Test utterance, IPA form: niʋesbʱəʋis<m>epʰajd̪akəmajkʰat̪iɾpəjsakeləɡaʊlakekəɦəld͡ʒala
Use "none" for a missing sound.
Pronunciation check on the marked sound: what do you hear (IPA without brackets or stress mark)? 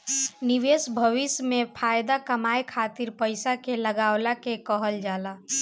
m